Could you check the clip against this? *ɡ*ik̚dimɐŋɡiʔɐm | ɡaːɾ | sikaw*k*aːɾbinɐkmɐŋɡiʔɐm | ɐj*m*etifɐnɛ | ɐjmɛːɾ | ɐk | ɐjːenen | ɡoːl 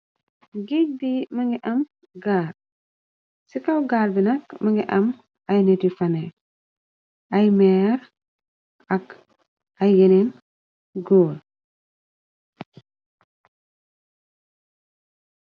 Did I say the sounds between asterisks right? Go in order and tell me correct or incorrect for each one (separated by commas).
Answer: correct, incorrect, incorrect